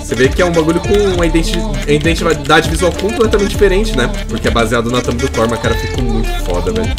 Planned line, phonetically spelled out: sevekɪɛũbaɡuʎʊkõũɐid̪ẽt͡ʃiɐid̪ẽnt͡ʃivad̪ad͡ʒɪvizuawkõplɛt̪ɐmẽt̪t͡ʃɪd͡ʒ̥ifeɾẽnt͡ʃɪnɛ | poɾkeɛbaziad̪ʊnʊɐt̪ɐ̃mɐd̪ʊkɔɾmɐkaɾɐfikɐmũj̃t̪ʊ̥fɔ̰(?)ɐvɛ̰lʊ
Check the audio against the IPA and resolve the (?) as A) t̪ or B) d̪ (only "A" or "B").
B